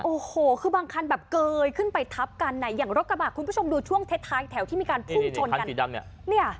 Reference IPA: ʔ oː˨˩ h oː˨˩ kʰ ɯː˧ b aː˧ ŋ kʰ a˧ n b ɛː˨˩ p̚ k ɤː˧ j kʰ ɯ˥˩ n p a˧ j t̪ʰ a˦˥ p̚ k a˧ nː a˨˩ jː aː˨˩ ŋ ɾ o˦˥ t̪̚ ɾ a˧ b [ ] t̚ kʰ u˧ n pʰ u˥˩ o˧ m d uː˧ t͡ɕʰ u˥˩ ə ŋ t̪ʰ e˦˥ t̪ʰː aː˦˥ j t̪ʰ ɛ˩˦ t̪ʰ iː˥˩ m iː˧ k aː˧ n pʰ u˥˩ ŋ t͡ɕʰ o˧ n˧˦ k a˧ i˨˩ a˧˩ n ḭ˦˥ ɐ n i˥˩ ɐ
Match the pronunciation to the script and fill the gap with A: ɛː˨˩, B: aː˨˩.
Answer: B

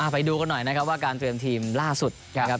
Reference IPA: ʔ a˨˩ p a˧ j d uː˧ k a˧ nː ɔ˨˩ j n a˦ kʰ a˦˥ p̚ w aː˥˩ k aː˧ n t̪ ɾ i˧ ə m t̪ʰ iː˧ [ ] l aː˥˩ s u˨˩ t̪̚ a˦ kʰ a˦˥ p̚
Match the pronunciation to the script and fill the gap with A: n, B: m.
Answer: B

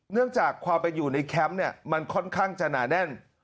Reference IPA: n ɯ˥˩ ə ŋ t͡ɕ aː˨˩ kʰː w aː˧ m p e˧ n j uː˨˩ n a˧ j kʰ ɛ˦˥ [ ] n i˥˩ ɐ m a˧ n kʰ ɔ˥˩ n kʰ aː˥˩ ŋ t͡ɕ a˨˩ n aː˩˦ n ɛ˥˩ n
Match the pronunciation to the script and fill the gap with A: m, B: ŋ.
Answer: A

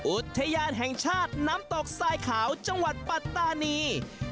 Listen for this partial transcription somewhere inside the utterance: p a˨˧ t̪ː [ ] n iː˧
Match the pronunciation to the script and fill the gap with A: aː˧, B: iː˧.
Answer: A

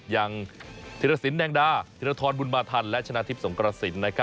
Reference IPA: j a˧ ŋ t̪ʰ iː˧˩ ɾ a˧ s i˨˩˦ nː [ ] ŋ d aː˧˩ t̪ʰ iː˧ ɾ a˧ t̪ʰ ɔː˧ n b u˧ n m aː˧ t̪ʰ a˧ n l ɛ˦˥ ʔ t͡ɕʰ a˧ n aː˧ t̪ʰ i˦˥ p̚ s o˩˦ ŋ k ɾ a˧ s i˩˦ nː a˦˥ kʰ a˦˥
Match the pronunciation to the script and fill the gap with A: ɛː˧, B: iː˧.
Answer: A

